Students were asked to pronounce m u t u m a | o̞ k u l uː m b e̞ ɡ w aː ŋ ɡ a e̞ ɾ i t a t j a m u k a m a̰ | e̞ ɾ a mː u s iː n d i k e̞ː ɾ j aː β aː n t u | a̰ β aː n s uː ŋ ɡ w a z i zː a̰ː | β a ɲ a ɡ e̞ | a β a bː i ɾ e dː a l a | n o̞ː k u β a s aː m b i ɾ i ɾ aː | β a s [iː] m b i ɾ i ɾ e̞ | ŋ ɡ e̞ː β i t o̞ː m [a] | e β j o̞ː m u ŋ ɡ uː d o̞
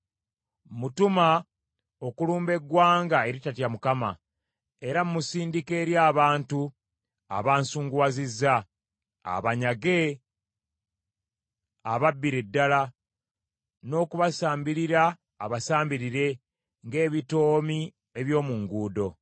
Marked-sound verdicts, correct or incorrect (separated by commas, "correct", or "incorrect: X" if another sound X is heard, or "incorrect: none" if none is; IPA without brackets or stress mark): incorrect: aː, incorrect: i